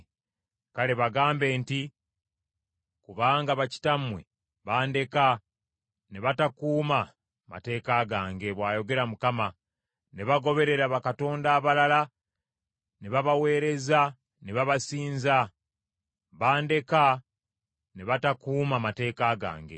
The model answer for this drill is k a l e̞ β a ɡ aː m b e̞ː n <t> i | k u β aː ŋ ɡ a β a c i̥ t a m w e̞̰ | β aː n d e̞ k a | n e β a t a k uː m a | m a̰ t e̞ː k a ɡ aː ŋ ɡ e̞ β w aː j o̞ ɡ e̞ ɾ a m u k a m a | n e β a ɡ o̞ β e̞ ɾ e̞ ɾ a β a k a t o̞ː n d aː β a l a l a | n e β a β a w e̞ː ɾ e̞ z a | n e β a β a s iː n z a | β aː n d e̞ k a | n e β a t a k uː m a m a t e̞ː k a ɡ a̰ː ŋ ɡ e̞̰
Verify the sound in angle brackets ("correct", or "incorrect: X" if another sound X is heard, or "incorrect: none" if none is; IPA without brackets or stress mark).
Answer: correct